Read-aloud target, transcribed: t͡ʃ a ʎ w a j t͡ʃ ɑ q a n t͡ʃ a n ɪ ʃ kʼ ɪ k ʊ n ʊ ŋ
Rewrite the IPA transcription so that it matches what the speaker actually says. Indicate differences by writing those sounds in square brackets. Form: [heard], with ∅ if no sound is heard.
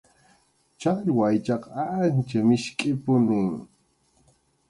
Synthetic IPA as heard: t͡ʃ a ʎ w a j t͡ʃ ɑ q a n t͡ʃ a [m] ɪ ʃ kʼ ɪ [p] ʊ n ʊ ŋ